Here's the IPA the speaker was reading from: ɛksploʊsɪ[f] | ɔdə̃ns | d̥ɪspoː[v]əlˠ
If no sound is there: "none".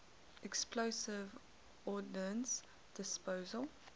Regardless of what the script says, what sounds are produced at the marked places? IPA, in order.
v, z

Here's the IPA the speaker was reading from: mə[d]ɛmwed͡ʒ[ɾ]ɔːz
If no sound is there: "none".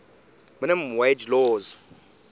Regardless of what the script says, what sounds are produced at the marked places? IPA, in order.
n, l

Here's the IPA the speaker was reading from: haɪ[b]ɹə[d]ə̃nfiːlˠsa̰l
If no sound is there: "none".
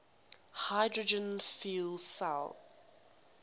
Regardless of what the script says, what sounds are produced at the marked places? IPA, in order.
d, d͡ʒ

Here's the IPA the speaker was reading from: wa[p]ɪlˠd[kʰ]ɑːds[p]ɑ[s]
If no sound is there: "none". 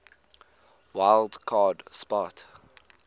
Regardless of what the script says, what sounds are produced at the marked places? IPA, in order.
none, kʰ, p, t

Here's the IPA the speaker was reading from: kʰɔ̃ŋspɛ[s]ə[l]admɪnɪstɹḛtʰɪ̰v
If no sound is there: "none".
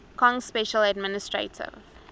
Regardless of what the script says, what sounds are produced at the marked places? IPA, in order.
ʃ, l

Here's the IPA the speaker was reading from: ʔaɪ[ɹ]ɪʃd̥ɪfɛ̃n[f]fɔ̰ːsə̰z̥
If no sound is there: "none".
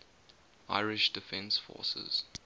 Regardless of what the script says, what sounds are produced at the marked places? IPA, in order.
ɹ, s

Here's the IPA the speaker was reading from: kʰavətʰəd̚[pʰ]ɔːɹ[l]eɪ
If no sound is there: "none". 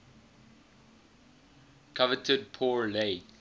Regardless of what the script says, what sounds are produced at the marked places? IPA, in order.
pʰ, l

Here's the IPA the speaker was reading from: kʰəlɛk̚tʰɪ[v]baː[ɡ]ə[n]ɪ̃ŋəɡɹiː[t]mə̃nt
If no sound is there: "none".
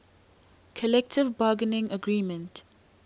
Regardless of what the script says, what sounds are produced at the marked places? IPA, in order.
v, ɡ, n, none

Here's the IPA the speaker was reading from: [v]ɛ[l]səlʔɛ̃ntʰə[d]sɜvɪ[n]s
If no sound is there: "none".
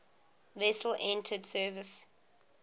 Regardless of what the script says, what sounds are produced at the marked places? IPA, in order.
v, none, d, none

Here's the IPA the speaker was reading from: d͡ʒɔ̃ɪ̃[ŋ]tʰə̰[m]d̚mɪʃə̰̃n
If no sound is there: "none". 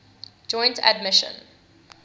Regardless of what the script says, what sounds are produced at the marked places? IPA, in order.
n, none

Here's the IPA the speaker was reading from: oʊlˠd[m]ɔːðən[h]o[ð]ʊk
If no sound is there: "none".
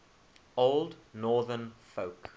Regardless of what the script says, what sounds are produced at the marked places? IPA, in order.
n, f, none

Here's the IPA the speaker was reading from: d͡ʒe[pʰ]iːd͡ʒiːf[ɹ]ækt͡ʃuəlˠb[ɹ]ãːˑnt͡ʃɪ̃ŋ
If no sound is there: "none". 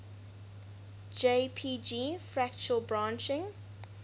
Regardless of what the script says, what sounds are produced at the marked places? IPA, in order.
pʰ, ɹ, ɹ

